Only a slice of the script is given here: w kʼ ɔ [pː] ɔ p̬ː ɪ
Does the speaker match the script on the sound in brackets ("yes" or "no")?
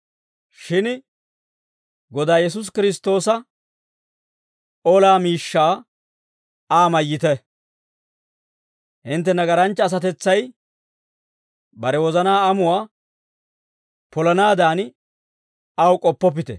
yes